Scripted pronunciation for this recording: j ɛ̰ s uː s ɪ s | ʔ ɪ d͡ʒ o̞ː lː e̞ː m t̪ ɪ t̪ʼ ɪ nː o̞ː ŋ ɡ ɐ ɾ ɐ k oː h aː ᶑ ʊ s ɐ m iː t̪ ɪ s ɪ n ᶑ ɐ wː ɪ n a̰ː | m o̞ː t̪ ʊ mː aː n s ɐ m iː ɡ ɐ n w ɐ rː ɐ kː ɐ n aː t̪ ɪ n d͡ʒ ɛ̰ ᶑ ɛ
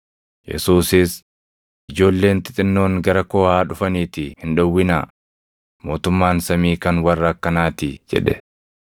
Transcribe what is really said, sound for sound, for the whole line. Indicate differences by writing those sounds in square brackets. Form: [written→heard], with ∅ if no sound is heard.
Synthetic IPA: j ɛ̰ s uː s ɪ s | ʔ ɪ d͡ʒ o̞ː lː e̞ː [m→n] t̪ ɪ t̪ʼ ɪ nː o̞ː ŋ ɡ ɐ ɾ ɐ k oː h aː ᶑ ʊ [s→f] ɐ [m→n] iː t̪ ɪ [s→h] ɪ n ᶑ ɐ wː ɪ n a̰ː | m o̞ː t̪ ʊ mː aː n s ɐ m iː [ɡ→k] ɐ n w ɐ rː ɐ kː ɐ n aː t̪ ɪ [n→∅] d͡ʒ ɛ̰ ᶑ ɛ